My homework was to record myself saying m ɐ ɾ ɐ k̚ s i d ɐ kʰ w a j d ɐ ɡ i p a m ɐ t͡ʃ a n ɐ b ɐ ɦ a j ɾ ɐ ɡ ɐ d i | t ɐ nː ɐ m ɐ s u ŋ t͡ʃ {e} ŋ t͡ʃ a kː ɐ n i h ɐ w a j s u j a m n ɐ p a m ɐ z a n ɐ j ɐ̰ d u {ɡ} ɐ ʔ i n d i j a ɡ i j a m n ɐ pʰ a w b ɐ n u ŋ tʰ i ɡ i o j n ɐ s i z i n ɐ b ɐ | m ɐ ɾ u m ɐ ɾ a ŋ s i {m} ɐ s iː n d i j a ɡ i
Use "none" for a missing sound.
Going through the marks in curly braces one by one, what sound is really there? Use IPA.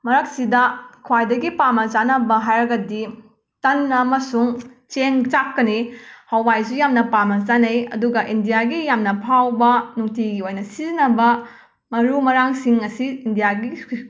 e, ɡ, ŋ

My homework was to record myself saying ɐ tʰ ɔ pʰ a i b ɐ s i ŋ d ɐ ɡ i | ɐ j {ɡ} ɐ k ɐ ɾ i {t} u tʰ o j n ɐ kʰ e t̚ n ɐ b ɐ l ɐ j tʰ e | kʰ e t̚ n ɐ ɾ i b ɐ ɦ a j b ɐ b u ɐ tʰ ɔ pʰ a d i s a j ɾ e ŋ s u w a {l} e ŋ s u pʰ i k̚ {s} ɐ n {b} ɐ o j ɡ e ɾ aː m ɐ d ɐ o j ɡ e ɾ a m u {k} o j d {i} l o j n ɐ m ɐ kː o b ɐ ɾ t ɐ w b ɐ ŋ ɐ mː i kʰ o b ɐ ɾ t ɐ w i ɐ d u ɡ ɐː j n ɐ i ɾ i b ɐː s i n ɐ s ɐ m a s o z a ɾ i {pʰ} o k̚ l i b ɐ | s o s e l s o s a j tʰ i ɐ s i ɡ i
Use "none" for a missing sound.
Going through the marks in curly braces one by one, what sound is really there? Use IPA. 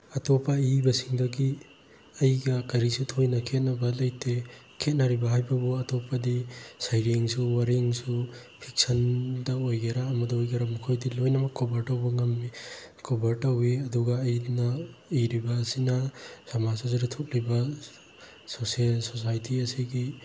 ɡ, s, ɾ, s, d, kʰ, i, tʰ

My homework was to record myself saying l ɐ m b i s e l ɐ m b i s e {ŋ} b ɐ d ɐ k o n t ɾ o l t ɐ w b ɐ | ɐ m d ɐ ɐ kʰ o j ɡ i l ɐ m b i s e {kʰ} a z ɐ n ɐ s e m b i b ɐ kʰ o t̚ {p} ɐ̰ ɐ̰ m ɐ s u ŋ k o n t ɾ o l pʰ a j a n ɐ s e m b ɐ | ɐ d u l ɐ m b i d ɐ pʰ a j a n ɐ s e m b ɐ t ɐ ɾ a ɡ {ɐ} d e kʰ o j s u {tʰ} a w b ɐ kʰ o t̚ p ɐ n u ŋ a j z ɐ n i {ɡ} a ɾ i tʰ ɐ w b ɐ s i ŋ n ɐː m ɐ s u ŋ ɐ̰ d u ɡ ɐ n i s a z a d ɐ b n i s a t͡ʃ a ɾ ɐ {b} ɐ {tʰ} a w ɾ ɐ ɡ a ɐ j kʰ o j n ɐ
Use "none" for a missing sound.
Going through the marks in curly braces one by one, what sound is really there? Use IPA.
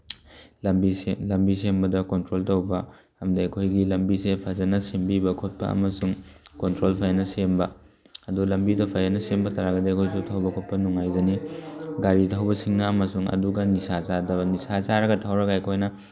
m, pʰ, p, ɐ, tʰ, ɡ, ɡ, tʰ

